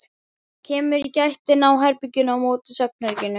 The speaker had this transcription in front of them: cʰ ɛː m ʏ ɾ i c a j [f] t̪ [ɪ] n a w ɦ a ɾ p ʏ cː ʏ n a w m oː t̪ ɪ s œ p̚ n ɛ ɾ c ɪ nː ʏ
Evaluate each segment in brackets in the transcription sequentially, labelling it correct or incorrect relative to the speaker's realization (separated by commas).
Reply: incorrect, correct